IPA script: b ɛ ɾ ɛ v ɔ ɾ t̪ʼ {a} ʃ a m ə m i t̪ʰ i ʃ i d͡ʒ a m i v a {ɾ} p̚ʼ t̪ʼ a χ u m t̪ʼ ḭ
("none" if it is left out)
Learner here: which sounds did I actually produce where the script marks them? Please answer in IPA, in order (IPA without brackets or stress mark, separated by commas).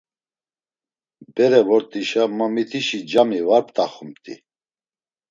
i, ɾ